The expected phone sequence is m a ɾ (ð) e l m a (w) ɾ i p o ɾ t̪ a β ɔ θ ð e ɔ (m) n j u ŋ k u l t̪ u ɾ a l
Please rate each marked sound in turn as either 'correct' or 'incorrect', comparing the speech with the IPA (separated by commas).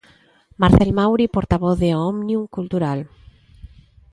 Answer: incorrect, correct, correct